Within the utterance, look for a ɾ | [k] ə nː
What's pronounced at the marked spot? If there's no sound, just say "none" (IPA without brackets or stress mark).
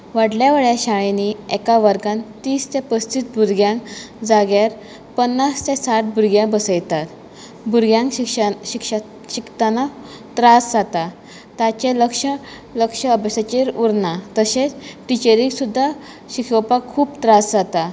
p